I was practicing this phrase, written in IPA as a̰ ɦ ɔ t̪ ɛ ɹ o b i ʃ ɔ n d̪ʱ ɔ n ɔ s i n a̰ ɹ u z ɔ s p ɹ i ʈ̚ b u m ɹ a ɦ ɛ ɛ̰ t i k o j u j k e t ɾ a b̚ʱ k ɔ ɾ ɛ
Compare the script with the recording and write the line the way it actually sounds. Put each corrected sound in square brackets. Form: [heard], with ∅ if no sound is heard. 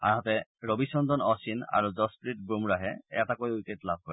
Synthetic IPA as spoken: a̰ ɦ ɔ t̪ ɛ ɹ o b i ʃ ɔ n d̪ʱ ɔ n ɔ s i n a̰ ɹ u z ɔ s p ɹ i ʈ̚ b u m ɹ a ɦ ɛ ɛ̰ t [a] k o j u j k e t [l] a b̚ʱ k ɔ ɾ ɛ